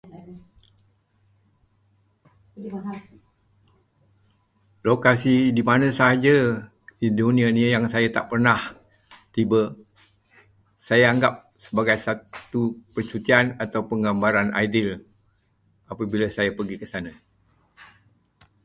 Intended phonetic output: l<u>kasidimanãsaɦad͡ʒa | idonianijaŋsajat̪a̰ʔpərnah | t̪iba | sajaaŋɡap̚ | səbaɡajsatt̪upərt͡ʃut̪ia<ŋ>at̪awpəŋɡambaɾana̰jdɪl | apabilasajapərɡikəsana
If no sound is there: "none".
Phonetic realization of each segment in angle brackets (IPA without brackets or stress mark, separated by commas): o, n